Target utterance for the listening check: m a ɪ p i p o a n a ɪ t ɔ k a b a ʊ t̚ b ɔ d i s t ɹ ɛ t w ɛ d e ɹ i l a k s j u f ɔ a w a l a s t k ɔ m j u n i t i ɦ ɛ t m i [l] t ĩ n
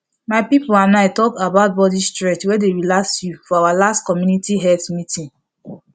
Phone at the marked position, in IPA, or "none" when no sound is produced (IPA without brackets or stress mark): none